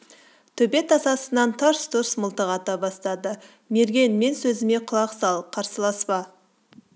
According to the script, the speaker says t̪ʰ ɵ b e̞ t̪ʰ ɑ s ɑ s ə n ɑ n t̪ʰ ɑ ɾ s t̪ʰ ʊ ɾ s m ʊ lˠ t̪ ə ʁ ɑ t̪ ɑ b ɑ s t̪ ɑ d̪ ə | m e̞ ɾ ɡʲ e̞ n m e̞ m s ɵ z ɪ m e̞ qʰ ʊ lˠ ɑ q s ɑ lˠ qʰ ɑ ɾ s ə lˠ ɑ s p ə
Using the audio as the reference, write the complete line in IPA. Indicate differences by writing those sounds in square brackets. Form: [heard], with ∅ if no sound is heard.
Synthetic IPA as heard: t̪ʰ ɵ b e̞ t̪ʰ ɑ s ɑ s ə n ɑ n t̪ʰ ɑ ɾ s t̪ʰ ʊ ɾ s m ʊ lˠ t̪ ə ʁ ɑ t̪ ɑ b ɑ s t̪ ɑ d̪ ə | m e̞ ɾ ɡʲ e̞ n m e̞ [n] s ɵ z ɪ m e̞ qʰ ʊ lˠ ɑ q s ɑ lˠ qʰ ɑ ɾ s ə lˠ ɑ s p [ɑ]